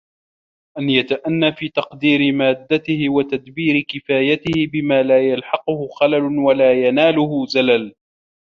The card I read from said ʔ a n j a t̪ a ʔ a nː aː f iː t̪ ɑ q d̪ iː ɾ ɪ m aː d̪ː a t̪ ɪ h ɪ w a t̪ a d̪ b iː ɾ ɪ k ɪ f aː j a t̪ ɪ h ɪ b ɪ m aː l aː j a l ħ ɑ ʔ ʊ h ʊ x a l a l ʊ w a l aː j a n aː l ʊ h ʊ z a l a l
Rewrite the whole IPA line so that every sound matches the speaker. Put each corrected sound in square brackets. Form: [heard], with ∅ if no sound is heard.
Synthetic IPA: ʔ a n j a t̪ a ʔ a nː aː f iː t̪ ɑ q d̪ iː ɾ ɪ m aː d̪ː a t̪ ɪ h ɪ w a t̪ a d̪ b iː ɾ ɪ k ɪ f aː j a t̪ ɪ h ɪ b ɪ m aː l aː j a l ħ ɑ [q] ʊ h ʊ x a l a l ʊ w a l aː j a n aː l ʊ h ʊ z a l a l